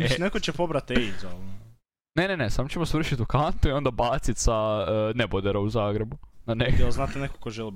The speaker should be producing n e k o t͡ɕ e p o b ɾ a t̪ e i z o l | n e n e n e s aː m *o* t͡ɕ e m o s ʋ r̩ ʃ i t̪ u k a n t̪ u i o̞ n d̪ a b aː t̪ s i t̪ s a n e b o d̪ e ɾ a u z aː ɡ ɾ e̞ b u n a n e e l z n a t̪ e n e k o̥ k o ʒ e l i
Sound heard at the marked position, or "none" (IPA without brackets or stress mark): o